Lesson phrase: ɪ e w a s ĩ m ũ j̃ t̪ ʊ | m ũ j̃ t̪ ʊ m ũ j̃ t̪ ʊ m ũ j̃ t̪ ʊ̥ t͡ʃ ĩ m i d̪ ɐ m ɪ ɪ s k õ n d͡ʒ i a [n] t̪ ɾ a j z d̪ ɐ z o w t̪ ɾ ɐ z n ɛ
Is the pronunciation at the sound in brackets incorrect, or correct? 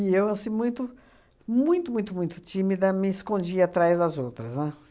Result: incorrect